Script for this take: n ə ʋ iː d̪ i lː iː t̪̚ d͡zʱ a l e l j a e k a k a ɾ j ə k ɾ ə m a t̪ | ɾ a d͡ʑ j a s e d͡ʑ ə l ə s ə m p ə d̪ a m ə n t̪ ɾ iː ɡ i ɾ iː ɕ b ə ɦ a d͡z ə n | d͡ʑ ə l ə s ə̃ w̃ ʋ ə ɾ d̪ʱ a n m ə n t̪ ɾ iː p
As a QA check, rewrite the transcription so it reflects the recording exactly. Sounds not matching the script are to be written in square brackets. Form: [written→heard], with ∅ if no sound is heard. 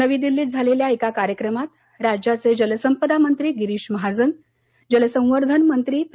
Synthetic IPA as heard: n ə ʋ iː d̪ i lː iː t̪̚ d͡zʱ a l e l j a e k a k a ɾ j ə k ɾ ə m a t̪ | ɾ a d͡ʑ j a [s→t͡s] e d͡ʑ ə l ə s ə m p ə d̪ a m ə n t̪ ɾ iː ɡ i ɾ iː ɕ [b→m] ə ɦ a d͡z ə n | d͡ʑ ə l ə s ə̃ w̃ ʋ ə ɾ d̪ʱ [a→ə] n m ə n t̪ ɾ iː p